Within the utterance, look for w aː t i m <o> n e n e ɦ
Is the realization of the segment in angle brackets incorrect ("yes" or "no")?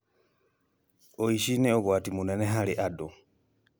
yes